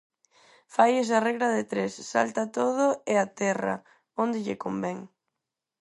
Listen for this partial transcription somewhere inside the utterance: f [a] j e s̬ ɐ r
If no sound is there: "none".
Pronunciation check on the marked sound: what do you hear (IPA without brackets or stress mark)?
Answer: a